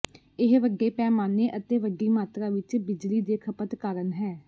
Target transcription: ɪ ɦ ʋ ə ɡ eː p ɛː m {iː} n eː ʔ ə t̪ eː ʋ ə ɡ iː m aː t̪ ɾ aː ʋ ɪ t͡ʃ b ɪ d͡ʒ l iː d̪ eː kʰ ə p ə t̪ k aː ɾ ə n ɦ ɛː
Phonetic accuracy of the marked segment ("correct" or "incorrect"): incorrect